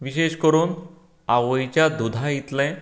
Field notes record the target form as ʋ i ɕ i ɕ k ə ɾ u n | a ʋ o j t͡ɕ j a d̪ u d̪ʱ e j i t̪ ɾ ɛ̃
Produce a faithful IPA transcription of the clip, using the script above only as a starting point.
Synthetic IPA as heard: ʋ i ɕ e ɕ k ə ɾ uː n | a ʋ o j t͡ɕ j a d̪ u d̪ʱ a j i t̪ l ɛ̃